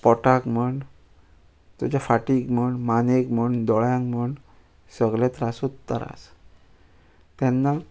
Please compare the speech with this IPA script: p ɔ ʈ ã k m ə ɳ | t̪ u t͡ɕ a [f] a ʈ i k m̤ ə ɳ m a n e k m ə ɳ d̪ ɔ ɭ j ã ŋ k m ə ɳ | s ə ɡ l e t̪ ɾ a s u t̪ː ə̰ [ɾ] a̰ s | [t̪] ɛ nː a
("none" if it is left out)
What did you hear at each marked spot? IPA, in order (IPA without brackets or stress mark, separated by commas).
f, ɾ, t̪